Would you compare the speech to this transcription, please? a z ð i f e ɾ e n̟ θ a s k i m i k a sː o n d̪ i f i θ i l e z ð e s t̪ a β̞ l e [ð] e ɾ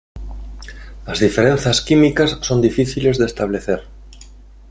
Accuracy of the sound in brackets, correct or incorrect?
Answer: incorrect